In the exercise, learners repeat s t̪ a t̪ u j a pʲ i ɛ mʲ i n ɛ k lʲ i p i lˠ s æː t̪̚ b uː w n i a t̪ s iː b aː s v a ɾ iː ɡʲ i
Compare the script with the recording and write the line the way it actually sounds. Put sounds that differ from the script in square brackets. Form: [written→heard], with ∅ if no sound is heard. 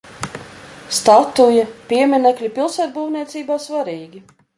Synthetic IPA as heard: s t̪ a t̪ u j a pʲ i ɛ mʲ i n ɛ k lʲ i p i lˠ s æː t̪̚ b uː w n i [a→ɛ] t̪ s iː b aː s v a ɾ iː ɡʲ i